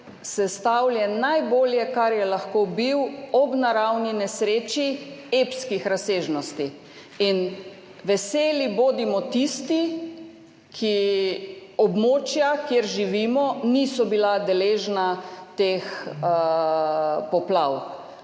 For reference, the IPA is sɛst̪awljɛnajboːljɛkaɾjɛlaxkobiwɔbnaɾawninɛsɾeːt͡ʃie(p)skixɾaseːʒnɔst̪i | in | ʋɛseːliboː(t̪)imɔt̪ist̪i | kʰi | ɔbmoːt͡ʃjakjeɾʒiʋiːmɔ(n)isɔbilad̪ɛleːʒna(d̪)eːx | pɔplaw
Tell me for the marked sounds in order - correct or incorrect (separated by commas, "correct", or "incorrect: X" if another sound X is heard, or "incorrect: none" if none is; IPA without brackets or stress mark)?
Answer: correct, incorrect: d̪, correct, incorrect: t̪